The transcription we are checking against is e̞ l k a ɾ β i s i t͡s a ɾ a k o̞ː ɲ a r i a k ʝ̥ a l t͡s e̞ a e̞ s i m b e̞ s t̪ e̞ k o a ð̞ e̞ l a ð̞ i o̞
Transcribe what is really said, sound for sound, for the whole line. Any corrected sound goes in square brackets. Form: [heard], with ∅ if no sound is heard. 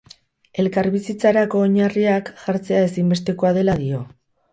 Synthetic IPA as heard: e̞ l k a ɾ β i s i t͡s a ɾ a k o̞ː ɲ a r i a k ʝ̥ a [ɾ] t͡s e̞ a e̞ s i m b e̞ s t̪ e̞ k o a ð̞ e̞ l a ð̞ i o̞

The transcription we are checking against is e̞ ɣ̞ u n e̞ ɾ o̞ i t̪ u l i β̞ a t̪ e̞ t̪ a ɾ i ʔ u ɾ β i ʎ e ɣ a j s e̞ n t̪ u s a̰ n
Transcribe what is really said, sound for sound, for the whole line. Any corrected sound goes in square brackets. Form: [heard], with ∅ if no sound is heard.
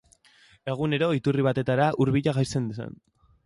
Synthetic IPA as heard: e̞ ɣ̞ u n e̞ ɾ o̞ i t̪ u [r] i β̞ a t̪ e̞ t̪ a ɾ [a] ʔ u ɾ β i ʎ [a] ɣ a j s e̞ n [d̪] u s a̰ n

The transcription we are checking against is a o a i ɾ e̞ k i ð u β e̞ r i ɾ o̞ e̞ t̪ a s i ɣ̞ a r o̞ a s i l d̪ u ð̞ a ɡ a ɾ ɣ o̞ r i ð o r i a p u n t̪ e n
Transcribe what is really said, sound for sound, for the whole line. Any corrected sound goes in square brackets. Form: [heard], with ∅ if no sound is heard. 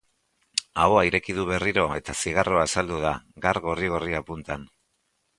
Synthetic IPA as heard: a o a i ɾ e̞ k i ð u β e̞ r i ɾ o̞ e̞ t̪ a s i ɣ̞ a r o̞ a s [a] l d̪ u ð̞ a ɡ a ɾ ɣ o̞ r i [ɣ] o r i a p u n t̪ [a] n

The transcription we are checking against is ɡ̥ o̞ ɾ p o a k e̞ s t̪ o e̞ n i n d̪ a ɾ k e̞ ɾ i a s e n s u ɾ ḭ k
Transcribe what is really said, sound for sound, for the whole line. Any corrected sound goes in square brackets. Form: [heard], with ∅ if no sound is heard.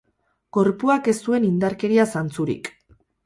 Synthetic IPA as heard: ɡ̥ o̞ ɾ p [u] a k e̞ s t̪ [u] e̞ n i n d̪ a ɾ k e̞ ɾ i a s [a] n [t͡s] u ɾ ḭ k

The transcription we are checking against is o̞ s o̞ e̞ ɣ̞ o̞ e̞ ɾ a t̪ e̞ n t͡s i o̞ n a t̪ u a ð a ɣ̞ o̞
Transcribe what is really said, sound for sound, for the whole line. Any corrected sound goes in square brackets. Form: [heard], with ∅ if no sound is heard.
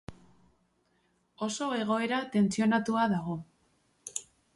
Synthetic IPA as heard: o̞ s o̞ e̞ ɣ̞ o̞ e̞ ɾ a t̪ e̞ n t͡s i o̞ n a t̪ u a ð a ɣ̞ o̞

